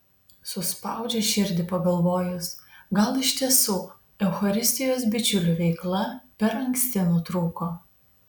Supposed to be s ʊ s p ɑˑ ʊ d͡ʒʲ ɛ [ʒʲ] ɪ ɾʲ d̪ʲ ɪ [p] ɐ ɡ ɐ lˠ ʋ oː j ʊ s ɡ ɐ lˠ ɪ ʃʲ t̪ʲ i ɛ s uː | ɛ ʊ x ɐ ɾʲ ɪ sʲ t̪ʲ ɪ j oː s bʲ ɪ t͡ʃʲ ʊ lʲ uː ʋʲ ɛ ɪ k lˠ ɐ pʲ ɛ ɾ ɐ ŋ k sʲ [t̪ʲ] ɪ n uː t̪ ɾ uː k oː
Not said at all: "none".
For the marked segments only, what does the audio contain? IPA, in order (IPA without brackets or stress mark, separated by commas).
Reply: ʃʲ, p, t̪ʲ